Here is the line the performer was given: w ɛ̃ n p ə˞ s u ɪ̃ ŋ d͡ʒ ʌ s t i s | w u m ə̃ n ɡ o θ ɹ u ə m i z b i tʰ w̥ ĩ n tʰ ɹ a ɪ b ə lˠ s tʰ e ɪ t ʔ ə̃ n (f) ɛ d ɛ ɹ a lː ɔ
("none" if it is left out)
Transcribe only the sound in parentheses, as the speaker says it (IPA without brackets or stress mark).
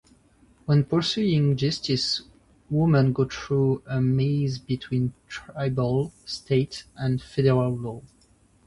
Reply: f